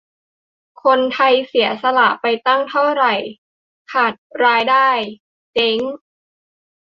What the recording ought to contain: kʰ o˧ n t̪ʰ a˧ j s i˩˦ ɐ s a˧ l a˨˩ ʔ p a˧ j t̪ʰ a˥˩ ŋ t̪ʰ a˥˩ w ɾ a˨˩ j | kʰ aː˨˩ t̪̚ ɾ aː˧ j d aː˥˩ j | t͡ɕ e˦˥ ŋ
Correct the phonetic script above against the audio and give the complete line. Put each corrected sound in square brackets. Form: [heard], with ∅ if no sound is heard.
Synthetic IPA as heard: kʰ o˧ n t̪ʰ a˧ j s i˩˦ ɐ s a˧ l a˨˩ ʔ p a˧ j [t̪] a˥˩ ŋ t̪ʰ a˥˩ w ɾ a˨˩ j | kʰ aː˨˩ t̪̚ ɾ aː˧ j d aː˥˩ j | t͡ɕ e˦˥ ŋ